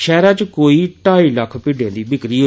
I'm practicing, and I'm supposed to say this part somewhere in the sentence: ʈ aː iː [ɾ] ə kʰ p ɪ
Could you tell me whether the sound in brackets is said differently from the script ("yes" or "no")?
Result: yes